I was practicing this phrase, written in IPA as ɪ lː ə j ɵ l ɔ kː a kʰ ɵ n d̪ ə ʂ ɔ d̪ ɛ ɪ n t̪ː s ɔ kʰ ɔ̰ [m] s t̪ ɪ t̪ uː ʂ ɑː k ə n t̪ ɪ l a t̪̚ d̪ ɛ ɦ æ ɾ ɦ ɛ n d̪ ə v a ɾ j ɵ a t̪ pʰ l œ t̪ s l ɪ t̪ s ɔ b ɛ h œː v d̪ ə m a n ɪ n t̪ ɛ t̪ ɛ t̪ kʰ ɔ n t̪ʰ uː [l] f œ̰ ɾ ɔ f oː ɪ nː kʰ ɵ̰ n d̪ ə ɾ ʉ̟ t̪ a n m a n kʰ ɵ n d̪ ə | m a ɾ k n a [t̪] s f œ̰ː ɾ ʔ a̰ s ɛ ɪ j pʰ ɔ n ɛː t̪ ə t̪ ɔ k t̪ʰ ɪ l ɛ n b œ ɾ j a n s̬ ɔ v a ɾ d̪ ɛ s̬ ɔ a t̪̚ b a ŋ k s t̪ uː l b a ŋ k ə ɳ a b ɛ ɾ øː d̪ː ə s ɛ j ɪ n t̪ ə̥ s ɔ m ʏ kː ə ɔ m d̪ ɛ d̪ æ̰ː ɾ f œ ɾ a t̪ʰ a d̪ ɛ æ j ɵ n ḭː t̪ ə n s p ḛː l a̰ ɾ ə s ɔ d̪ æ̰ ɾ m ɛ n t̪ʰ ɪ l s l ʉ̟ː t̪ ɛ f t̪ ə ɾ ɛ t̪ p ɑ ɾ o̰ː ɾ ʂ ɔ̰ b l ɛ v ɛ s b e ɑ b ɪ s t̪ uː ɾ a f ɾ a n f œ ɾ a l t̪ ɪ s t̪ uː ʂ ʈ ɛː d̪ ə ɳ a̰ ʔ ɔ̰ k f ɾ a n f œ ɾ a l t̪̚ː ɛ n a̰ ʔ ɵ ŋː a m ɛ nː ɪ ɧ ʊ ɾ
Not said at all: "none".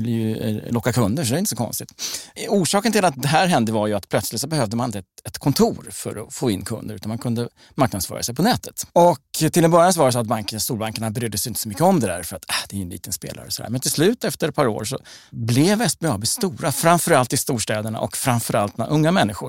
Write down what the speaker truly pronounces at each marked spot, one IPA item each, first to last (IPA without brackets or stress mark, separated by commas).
n, ɾ, d̪